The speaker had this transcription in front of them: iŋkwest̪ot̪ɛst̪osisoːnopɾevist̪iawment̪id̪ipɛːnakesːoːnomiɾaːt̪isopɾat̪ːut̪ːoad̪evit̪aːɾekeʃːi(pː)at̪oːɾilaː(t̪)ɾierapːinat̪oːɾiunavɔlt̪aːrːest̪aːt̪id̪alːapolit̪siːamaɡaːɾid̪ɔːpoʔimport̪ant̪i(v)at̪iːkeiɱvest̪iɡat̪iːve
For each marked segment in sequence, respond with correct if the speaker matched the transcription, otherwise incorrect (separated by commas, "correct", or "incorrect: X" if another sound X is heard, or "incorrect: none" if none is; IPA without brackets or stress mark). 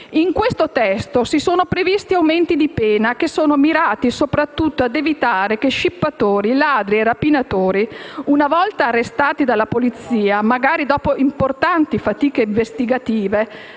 correct, incorrect: d̪, incorrect: f